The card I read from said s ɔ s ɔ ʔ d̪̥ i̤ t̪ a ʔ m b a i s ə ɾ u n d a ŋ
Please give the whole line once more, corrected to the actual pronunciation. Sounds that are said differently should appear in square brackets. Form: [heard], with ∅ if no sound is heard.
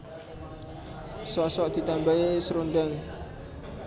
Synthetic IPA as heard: s ɔ s ɔ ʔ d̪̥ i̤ t̪ a [∅] m b a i s ə ɾ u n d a ŋ